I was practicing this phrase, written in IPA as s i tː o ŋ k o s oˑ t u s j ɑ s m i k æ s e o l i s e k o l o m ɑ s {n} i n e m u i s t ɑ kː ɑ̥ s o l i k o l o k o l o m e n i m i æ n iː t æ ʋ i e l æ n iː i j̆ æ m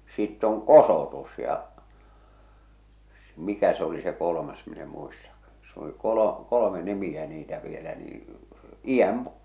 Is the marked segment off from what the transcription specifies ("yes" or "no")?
yes